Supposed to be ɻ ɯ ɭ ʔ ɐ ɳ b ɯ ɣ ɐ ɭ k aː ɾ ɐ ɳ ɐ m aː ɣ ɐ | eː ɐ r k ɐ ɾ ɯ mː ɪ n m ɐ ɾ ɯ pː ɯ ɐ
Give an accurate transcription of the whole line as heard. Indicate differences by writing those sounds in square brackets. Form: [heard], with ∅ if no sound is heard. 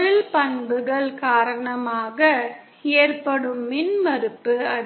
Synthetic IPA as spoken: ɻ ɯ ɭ [p] ɐ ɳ b ɯ ɣ ɐ ɭ k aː ɾ ɐ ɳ ɐ m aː ɣ ɐ | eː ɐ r [p] ɐ [ɽ] ɯ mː ɪ n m ɐ ɾ ɯ pː ɯ ɐ